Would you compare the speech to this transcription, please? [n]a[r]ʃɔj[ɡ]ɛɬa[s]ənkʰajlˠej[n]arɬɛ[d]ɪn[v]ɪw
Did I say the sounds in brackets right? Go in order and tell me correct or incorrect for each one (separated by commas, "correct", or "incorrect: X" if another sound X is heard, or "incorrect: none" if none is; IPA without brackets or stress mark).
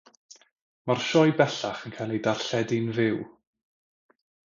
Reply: incorrect: m, correct, incorrect: b, incorrect: χ, incorrect: d, correct, correct